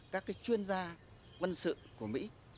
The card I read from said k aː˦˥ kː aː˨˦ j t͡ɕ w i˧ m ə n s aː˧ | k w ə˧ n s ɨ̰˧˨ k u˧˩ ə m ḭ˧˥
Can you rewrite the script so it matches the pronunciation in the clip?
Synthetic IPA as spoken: k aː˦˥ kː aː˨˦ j t͡ɕ w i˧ ə n z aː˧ | k w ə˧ n s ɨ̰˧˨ k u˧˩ ə m ḭ˧˥